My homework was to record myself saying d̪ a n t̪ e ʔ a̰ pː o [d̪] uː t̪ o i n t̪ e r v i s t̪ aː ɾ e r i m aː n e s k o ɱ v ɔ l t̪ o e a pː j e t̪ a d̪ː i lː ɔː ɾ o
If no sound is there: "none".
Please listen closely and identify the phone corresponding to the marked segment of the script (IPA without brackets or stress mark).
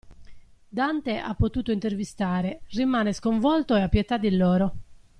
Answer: t̪